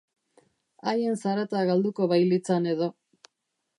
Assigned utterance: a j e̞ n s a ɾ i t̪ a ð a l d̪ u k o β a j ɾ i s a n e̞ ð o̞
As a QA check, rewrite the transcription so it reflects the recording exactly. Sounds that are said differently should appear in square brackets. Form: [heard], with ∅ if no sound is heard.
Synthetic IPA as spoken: a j e̞ n s a ɾ [a] t̪ a [ɣ] a l d̪ u k o β a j [l] i [t͡s] a n e̞ ð o̞